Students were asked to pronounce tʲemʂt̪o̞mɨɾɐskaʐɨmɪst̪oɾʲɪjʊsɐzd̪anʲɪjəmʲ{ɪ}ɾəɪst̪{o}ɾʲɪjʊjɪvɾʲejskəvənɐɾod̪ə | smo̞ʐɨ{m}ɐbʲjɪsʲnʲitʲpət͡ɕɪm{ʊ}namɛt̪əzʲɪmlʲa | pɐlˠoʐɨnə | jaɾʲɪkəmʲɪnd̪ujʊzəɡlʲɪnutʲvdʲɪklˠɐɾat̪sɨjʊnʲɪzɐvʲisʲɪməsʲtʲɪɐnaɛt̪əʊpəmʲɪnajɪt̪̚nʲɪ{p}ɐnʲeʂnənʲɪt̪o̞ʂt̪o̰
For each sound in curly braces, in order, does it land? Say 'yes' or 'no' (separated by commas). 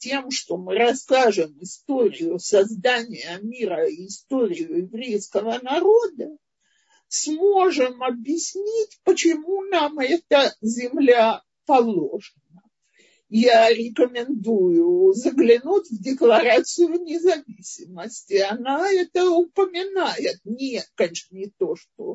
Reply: no, yes, yes, no, no